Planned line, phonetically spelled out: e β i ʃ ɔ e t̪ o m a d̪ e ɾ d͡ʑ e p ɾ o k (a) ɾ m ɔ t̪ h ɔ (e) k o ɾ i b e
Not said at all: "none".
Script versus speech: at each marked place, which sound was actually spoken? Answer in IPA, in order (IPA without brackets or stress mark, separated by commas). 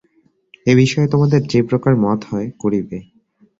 a, e